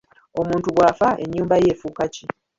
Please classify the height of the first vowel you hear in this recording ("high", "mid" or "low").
mid